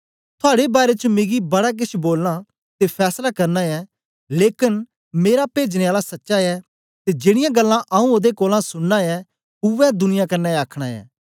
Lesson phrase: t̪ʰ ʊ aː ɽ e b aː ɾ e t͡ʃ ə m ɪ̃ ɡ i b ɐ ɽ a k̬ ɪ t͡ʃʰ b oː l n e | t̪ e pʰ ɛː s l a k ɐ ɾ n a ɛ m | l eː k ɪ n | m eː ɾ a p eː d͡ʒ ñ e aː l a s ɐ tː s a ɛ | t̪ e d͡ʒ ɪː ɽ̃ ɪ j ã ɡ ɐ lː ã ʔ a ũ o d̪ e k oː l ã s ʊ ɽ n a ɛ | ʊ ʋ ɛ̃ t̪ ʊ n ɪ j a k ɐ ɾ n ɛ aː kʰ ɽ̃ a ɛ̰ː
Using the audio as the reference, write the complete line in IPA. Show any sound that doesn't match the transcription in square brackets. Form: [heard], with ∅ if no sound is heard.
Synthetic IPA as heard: t̪ʰ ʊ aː ɽ e b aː ɾ e t͡ʃ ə m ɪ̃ ɡ i b ɐ ɽ a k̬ ɪ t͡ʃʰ b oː l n [a] | t̪ e pʰ ɛː s l a k ɐ ɾ n a ɛ [∅] | l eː k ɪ n | m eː ɾ a p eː d͡ʒ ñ e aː l a s ɐ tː [ʃ] a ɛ | t̪ e d͡ʒ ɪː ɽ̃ ɪ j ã ɡ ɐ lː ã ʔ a ũ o d̪ e k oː l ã s ʊ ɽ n a ɛ | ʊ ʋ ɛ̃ [d̪] ʊ n ɪ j a k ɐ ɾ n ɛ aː kʰ ɽ̃ a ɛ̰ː

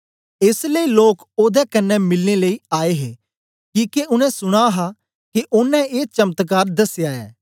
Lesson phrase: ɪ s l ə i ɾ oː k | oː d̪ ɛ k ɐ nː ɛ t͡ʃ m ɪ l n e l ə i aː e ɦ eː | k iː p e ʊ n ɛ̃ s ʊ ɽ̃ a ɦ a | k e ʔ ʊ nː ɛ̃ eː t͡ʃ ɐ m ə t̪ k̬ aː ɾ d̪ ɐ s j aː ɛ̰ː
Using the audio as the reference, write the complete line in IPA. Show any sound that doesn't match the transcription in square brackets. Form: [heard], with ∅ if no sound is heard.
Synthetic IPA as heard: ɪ s l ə i [l] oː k | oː d̪ ɛ k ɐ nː ɛ [∅] m ɪ l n e l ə i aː e ɦ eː | k iː [k] e ʊ n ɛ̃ s ʊ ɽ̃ a ɦ a | k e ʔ ʊ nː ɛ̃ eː t͡ʃ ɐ m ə t̪ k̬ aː ɾ d̪ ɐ s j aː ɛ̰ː

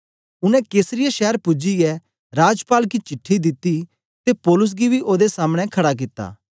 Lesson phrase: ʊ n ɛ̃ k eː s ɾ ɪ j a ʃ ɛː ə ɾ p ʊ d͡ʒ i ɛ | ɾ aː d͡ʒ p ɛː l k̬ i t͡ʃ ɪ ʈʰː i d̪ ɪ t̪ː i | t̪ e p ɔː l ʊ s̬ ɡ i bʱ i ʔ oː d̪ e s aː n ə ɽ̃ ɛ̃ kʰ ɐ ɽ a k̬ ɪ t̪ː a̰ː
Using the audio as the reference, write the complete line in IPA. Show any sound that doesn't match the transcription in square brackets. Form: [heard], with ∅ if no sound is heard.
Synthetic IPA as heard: ʊ n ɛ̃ k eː s ɾ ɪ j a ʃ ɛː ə ɾ p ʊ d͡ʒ i ɛ | ɾ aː d͡ʒ p [aː] l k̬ i t͡ʃ ɪ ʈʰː i d̪ ɪ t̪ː i | t̪ e p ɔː l ʊ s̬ ɡ i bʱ i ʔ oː d̪ e s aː [m] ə ɽ̃ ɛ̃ kʰ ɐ ɽ a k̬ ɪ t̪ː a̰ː

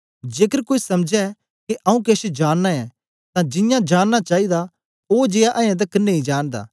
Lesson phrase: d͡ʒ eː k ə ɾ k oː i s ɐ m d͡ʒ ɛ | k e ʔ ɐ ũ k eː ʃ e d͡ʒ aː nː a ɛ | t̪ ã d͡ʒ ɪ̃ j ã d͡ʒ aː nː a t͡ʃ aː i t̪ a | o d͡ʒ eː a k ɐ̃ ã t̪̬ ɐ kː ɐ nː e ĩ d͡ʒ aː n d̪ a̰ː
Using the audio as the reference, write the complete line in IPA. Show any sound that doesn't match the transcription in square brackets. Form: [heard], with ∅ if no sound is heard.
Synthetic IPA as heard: d͡ʒ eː k ə ɾ k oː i s ɐ m d͡ʒ ɛ | k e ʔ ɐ ũ k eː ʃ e d͡ʒ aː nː a ɛ | t̪ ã d͡ʒ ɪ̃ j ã d͡ʒ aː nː a t͡ʃ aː i [d̪] a | o d͡ʒ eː a [ʔ] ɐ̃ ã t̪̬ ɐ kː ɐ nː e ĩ d͡ʒ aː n d̪ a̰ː

